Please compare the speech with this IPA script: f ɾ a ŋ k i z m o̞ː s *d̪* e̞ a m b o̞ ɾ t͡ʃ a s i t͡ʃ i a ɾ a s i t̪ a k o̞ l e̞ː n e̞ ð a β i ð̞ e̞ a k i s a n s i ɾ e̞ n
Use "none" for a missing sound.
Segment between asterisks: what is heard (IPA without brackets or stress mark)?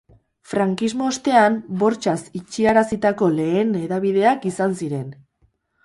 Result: t̪